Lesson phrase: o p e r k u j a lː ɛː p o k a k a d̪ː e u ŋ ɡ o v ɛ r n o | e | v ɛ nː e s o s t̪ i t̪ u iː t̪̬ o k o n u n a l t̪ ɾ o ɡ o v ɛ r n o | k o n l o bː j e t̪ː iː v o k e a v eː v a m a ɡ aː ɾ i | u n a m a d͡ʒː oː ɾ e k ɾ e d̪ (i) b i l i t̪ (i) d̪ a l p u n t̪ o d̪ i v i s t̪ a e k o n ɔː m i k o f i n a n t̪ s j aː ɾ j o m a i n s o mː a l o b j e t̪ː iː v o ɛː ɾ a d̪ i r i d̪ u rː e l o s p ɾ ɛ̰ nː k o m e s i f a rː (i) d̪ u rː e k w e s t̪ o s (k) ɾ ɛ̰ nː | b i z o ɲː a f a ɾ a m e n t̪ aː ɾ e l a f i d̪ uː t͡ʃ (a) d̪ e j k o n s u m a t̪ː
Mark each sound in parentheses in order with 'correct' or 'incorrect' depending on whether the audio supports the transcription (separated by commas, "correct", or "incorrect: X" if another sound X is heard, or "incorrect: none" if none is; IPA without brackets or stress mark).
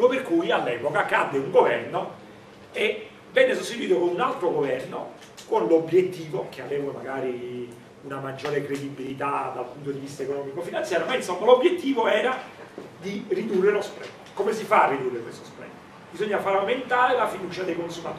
correct, incorrect: a, correct, incorrect: p, correct